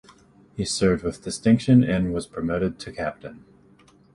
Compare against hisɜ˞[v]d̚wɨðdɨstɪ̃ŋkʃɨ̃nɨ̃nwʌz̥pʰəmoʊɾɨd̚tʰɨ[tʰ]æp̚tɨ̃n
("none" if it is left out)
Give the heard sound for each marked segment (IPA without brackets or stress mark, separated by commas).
v, kʰ